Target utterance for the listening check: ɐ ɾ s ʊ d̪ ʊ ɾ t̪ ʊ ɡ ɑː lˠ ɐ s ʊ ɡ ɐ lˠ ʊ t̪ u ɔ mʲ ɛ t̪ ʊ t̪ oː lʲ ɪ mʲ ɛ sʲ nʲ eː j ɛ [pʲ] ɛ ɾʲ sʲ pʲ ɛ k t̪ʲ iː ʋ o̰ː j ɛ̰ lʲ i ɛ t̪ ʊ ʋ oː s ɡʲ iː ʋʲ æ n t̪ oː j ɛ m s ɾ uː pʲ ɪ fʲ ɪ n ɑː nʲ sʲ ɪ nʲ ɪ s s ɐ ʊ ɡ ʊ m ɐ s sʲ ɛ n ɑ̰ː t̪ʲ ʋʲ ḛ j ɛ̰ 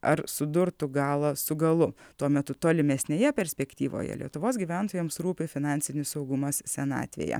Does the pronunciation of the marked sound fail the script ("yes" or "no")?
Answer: no